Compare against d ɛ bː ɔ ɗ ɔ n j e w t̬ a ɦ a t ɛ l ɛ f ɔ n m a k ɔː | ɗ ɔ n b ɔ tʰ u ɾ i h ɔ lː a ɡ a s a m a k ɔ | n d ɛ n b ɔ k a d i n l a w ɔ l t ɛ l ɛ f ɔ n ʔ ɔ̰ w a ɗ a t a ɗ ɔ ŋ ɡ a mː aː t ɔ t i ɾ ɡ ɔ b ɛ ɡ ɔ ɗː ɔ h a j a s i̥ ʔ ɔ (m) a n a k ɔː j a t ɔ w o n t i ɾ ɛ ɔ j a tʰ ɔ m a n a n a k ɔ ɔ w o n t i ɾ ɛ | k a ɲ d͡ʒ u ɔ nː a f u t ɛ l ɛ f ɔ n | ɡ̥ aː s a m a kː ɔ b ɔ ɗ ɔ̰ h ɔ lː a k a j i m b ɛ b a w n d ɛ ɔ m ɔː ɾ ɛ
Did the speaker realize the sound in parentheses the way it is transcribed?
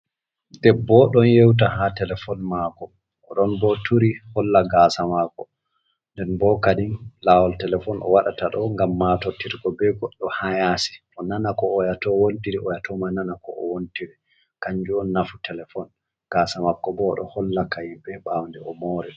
no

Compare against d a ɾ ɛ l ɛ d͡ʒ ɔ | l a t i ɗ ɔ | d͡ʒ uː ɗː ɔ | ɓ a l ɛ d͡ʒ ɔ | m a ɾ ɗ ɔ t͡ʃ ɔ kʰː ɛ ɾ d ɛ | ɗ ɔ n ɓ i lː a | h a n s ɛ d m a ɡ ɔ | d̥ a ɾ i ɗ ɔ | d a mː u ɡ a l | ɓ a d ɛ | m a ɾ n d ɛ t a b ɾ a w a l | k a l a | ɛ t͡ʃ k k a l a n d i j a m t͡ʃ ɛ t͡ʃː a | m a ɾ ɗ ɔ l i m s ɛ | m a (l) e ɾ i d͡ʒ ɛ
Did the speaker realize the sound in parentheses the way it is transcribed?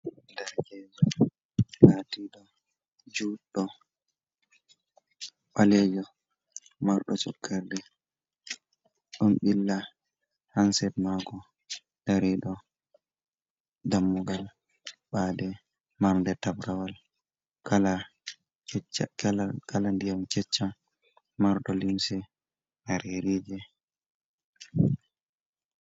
no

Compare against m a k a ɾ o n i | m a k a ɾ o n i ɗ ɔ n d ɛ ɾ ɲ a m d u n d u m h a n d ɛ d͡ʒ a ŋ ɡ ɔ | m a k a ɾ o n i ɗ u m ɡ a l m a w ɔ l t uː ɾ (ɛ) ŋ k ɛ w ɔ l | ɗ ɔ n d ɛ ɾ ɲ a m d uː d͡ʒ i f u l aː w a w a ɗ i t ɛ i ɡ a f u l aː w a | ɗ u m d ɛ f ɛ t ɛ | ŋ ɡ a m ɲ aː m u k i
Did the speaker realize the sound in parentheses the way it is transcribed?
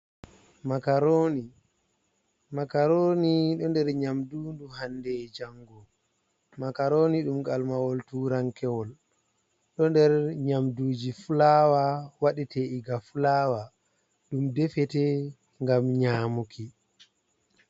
no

